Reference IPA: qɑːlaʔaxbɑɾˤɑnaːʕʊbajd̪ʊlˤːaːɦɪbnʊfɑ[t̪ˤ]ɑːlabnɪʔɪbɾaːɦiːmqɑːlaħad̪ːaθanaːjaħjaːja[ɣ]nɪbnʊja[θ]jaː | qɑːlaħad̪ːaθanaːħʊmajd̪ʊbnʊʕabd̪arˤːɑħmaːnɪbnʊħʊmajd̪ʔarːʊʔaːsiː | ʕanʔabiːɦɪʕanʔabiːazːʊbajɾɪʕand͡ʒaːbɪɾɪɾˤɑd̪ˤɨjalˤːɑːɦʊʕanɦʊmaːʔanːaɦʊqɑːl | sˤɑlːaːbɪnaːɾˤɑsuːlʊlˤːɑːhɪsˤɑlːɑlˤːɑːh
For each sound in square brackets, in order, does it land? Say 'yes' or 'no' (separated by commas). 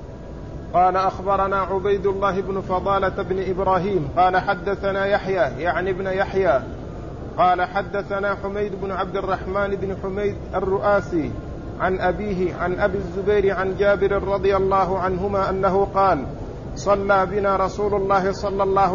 no, no, no